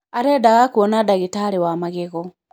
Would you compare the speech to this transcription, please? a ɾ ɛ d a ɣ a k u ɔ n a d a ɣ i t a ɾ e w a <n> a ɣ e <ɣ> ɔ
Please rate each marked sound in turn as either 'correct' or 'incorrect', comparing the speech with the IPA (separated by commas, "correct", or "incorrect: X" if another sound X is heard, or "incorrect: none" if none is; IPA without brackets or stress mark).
incorrect: m, correct